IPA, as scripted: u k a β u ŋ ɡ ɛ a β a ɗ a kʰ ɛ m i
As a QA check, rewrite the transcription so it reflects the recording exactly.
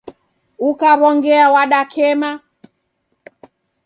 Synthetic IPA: u k a β ɔ ŋ ɡ ɛ a w a ɗ a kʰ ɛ m a